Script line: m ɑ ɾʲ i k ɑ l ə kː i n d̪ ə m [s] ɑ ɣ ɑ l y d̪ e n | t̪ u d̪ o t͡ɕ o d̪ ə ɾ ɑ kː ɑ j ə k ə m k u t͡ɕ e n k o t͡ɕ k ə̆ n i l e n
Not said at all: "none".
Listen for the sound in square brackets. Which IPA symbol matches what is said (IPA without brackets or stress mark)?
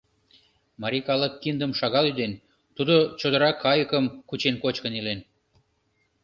ʃ